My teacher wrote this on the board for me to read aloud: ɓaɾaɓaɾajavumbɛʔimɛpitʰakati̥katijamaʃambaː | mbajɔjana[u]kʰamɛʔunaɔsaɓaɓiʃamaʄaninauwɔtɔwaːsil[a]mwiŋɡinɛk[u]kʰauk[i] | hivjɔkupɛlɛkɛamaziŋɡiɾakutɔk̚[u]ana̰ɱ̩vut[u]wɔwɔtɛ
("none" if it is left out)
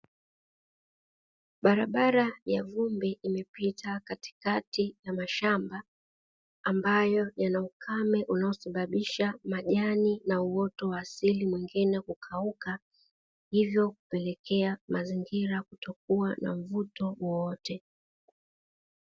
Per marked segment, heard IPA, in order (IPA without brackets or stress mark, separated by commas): u, i, u, a, u, ɔ